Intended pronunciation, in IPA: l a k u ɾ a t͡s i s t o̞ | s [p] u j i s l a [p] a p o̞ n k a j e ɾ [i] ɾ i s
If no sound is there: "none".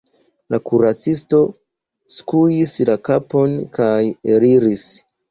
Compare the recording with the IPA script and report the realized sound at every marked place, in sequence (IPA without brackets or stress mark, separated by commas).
k, k, i